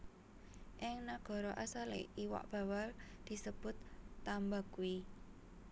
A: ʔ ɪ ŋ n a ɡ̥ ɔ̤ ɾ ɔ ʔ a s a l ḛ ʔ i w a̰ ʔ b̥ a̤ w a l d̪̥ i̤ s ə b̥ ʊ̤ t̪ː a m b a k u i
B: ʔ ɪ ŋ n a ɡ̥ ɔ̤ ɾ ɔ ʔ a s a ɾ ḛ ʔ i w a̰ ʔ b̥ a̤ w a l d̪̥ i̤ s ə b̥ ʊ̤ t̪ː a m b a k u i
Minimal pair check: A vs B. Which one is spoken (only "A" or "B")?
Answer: A